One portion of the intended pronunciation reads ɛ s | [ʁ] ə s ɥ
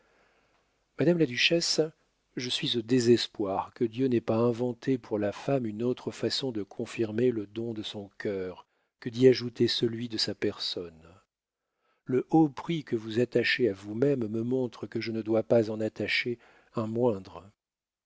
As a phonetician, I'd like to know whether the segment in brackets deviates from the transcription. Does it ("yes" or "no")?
yes